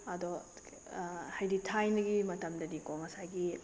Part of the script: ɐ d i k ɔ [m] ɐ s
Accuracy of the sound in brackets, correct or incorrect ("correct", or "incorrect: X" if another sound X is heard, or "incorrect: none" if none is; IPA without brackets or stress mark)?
incorrect: ŋ